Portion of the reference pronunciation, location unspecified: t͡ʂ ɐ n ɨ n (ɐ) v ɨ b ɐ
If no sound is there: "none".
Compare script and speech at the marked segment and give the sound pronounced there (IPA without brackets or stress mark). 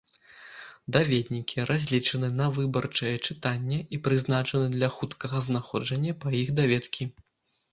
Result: ɐ